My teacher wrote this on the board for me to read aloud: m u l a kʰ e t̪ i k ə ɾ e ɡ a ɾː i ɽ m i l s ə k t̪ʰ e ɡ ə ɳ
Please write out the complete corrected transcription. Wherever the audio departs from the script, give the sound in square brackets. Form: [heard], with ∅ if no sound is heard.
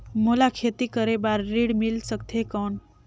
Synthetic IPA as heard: m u l a kʰ e t̪ i k ə ɾ e [b] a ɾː i ɽ m i l s ə k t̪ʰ e [k] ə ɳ